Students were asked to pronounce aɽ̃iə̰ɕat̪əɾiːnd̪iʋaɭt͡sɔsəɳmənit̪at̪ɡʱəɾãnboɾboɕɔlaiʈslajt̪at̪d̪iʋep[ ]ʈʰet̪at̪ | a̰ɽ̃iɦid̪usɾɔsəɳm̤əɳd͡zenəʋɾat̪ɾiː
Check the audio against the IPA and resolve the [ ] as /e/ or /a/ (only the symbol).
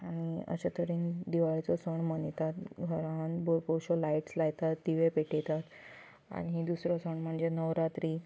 e